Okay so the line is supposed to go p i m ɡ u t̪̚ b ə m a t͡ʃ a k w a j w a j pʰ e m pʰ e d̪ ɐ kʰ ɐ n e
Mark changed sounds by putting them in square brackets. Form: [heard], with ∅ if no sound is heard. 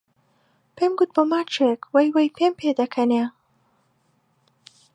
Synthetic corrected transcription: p [e] m ɡ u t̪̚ b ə m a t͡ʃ [e] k w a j w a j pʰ e m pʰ e d̪ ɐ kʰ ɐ n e